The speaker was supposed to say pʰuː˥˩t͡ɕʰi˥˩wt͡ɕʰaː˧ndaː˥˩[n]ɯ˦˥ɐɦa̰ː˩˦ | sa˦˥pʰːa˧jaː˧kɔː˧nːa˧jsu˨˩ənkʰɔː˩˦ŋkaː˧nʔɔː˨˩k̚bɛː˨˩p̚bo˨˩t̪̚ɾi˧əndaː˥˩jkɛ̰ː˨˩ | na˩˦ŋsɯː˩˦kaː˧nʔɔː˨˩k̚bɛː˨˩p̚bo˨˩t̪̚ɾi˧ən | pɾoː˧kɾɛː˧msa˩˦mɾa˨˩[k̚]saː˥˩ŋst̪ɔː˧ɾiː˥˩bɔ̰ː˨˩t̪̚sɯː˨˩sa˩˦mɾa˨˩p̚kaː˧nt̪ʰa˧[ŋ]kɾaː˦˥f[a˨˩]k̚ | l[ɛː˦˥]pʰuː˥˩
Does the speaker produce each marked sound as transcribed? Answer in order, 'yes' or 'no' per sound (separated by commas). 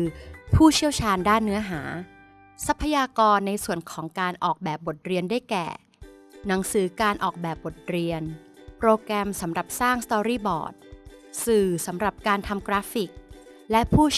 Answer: no, no, no, no, no